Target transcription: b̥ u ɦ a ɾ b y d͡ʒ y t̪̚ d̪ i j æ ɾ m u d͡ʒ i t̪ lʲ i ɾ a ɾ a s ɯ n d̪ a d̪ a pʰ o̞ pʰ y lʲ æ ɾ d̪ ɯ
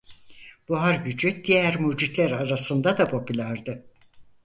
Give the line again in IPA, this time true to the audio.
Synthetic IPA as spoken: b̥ u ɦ a ɾ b y d͡ʒ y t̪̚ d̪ i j æ ɾ m u d͡ʒ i t̪ lʲ æ ɾ a ɾ a s ɯ n d̪ a d̪ a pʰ o̞ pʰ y lʲ æ ɾ d̪ ɯ